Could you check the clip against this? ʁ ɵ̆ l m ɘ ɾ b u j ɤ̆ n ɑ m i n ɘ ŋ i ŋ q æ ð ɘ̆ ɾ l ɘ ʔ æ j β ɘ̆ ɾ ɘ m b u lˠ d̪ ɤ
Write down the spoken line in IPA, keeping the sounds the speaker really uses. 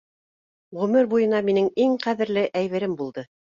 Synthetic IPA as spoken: ʁ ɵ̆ m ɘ ɾ b u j ɤ̆ n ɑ m i n ɘ ŋ i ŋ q æ ð ɘ̆ ɾ l ɘ ʔ æ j β ɘ̆ ɾ ɘ m b u lˠ d̪ ɤ